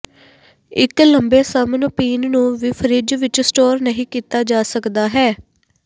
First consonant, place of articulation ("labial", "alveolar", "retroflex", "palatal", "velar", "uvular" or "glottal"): velar